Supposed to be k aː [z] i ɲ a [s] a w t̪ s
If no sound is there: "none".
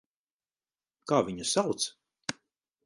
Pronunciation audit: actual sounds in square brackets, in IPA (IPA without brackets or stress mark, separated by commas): v, s